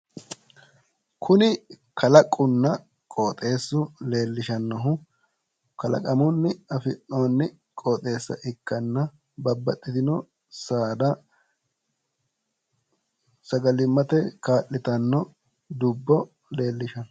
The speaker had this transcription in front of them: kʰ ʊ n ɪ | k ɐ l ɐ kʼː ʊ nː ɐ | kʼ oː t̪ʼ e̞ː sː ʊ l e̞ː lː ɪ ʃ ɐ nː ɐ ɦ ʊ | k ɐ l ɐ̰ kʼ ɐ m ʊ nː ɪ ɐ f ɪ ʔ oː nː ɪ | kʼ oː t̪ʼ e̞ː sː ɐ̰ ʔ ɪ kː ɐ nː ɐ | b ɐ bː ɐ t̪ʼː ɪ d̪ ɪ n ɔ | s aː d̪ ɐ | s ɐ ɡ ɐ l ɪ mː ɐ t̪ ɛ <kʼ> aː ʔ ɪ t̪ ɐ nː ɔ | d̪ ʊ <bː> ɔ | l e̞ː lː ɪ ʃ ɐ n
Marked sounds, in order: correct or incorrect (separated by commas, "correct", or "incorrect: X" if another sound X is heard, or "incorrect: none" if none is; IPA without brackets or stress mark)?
incorrect: k, correct